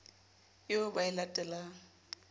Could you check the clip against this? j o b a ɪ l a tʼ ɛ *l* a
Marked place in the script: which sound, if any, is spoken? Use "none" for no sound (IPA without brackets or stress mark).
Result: l